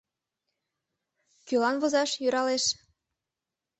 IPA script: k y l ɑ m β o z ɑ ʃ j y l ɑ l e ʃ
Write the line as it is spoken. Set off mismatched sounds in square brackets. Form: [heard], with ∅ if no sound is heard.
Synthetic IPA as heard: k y l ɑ [n] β o z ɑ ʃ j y [ɾ] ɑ l e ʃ